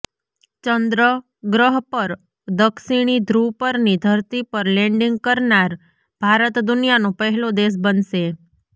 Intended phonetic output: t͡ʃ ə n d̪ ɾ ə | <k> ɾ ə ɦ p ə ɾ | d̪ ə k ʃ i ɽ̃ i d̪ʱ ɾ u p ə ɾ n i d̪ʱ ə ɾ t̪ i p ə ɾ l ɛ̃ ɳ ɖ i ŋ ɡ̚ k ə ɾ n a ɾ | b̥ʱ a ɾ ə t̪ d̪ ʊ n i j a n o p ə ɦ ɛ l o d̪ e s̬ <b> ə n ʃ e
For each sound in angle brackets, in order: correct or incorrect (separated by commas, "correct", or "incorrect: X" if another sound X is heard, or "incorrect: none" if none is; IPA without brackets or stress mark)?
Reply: incorrect: ɡ, correct